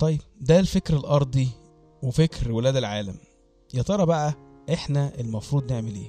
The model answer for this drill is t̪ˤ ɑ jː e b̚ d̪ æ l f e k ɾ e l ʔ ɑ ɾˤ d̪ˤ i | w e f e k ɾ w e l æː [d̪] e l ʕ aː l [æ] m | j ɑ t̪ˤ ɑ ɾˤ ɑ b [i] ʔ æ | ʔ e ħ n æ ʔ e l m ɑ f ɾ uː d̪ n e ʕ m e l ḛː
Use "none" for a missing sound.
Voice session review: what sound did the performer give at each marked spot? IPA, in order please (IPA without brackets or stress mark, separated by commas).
d̪, æ, æ